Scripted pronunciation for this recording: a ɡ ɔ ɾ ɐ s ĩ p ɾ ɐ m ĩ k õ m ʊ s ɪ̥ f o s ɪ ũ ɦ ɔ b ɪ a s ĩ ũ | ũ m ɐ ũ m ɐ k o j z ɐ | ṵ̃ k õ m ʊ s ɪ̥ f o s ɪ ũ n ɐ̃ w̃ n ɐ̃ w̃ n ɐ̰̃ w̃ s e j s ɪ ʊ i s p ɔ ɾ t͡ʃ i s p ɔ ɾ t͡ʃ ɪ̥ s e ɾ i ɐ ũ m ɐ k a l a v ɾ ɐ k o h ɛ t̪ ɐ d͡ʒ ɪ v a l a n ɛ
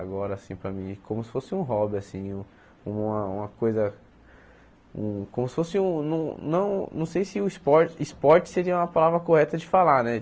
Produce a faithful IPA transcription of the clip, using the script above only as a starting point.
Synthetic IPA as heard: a ɡ ɔ ɾ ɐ s ĩ p ɾ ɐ m ĩ k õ m ʊ s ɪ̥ f o s ɪ ũ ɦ ɔ b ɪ a s ĩ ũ | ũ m ɐ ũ m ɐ k o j z ɐ | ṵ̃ k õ m ʊ s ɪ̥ f o s ɪ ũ n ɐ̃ w̃ n ɐ̃ w̃ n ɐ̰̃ w̃ s e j s ɪ ʊ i s p ɔ ɾ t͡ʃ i s p ɔ ɾ t͡ʃ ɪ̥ s e ɾ i ɐ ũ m ɐ p a l a v ɾ ɐ k o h ɛ t̪ ɐ d͡ʒ ɪ f a l a n ɛ

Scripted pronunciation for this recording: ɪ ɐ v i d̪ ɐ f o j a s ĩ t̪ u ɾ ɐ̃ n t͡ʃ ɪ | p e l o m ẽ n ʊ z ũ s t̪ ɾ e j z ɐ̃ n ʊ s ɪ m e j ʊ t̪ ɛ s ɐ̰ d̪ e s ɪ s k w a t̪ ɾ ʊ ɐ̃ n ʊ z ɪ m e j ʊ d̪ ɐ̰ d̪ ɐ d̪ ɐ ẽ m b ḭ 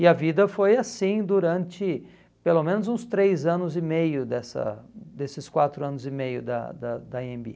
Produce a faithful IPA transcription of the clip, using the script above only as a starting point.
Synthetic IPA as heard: ɪ ɐ v i d̪ ɐ f o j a s ĩ d̪ u ɾ ɐ̃ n t͡ʃ ɪ | p e l o m ẽ n ʊ z ũ s t̪ ɾ e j z ɐ̃ n ʊ z ɪ m e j ʊ d̪ ɛ s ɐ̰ d̪ e s ɪ s k w a t̪ ɾ ʊ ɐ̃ n ʊ z ɪ m e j ʊ d̪ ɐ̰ d̪ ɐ d̪ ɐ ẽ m b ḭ

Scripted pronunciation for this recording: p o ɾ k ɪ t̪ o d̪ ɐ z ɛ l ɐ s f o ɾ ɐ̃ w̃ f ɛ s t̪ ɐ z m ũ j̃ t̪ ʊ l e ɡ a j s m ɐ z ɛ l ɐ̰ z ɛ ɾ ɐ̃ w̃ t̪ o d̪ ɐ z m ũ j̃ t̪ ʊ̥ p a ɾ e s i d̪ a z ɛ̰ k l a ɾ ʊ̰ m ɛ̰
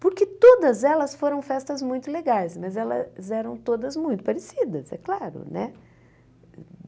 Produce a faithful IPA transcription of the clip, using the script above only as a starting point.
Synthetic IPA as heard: p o ɾ k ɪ t̪ o d̪ ɐ z ɛ l ɐ s f o ɾ ɐ̃ w̃ f ɛ s t̪ ɐ z m ũ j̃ t̪ ʊ l e ɡ a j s m ɐ z ɛ l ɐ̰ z ɛ ɾ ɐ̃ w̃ t̪ o d̪ ɐ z m ũ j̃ t̪ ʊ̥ p a ɾ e s i d̪ ɐ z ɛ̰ k l a ɾ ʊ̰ n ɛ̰

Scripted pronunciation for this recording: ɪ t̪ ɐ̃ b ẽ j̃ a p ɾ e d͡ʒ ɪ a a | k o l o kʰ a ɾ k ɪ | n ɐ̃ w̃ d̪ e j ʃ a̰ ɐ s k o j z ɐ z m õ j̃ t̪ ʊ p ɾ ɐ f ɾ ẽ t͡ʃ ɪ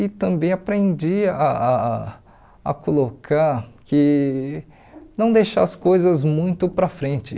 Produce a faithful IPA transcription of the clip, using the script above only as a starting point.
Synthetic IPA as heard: ɪ t̪ ɐ̃ b ẽ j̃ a p ɾ ẽ d͡ʒ i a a | k o l o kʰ a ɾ k ɪ | n ɐ̃ w̃ d̪ e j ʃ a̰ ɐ s k o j z ɐ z m ũ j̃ t̪ ʊ p ɾ ɐ f ɾ ẽ t͡ʃ ɪ

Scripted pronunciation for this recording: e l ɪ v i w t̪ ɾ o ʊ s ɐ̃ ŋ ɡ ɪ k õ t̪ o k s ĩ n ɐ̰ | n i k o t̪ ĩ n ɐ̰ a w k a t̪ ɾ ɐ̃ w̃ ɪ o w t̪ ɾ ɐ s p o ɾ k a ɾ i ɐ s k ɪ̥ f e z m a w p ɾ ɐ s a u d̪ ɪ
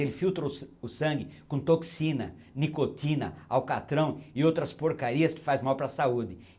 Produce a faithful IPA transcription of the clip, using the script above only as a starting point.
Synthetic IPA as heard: e l ɪ f i w t̪ ɾ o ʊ s ɐ̃ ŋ ɡ ɪ k õ t̪ o k s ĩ n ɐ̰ | n i k o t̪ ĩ n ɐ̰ a w k a t̪ ɾ ɐ̃ w̃ ɪ o w t̪ ɾ ɐ s p o ɾ k a ɾ i ɐ s k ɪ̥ f a z m a w p ɾ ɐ s a u d̪ ɪ

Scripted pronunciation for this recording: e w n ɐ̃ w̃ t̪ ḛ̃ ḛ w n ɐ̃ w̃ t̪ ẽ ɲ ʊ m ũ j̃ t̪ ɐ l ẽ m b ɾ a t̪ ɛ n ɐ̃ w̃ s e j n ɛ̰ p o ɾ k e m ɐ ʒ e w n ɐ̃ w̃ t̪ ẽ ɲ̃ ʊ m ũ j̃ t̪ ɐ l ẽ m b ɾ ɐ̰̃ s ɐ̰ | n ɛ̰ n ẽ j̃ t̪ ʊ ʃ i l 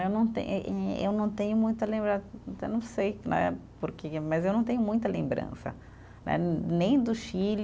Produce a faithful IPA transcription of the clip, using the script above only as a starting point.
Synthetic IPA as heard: e w n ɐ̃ w̃ t̪ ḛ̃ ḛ w n ɐ̃ w̃ t̪ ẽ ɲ ʊ m ũ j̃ t̪ ɐ l ẽ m b ɾ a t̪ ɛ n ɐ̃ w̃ s e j n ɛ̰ p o ɾ k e m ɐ z e w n ɐ̃ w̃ t̪ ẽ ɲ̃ ʊ m ũ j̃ t̪ ɐ l ẽ m b ɾ ɐ̰̃ s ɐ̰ | n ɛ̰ n ẽ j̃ d̪ ʊ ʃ i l

